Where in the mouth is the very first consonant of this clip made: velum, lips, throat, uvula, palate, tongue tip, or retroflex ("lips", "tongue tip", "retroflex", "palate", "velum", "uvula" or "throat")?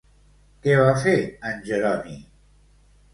velum